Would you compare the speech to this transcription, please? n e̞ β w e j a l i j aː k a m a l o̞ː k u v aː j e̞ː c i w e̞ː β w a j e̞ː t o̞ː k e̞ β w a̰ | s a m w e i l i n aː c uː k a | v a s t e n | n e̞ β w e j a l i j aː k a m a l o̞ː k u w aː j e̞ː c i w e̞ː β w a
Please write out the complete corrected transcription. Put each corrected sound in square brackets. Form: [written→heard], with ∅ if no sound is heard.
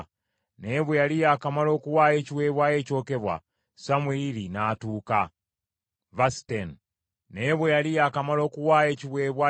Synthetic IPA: n e̞ β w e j a l i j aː k a m a l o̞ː k u [v→w] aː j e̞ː c i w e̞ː β w a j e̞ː [t→c] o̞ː k e̞ β w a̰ | s a m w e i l i n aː [c→t] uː k a | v a s t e n | n e̞ β w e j a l i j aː k a m a l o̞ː k u w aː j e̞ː c i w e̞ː β w a